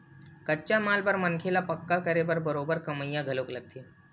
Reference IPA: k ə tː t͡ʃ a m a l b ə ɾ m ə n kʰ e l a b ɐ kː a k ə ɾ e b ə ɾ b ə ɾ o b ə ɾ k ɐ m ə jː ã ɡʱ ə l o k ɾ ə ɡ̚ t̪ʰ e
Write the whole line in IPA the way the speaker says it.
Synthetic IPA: k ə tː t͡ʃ a m a l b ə ɾ m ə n kʰ e l a p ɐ kː a k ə ɾ e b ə ɾ b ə ɾ o b ə ɾ k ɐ m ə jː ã ɡʱ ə l o k l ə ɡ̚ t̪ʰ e

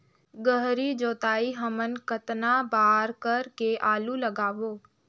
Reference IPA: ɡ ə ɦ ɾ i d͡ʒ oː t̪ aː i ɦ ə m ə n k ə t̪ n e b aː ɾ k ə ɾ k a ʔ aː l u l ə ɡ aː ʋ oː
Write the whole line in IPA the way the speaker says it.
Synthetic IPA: ɡ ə ɦ ɾ i d͡ʒ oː t̪ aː i ɦ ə m ə n k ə t̪ n a b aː ɾ k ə ɾ k e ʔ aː l u l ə ɡ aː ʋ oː

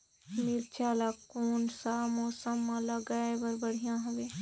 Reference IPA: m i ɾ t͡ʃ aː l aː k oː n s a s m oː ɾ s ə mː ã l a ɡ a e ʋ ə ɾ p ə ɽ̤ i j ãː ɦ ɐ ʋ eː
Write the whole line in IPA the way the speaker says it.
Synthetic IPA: m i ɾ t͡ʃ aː l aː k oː n s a m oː s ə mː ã l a ɡ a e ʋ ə ɾ b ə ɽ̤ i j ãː ɦ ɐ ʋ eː

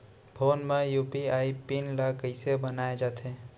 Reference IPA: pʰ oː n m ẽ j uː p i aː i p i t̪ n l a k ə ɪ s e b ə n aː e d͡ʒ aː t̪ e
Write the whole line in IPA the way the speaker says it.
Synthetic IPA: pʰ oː n m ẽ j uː p i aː i p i n l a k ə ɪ s e b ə n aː e d͡ʒ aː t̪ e

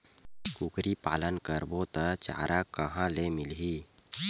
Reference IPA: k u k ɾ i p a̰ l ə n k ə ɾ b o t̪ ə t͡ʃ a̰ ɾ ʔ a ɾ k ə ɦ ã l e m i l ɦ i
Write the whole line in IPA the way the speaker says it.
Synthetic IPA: k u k ɾ i p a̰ l ə n k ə ɾ b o t̪ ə t͡ʃ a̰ ɾ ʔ a k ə ɦ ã l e m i l ɦ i

